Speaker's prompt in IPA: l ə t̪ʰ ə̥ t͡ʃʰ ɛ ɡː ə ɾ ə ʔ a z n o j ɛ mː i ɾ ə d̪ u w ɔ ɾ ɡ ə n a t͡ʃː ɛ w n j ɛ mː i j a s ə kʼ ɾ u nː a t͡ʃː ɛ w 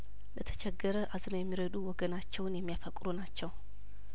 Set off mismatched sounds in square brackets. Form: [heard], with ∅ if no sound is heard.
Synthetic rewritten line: l ə t̪ʰ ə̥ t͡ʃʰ ɛ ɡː ə ɾ ə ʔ a z n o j ɛ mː i ɾ ə d̪ u w ɔ [∅] ɡ ə n a t͡ʃː ɛ w n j ɛ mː i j a [f] ə kʼ ɾ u [n] a t͡ʃː ɛ w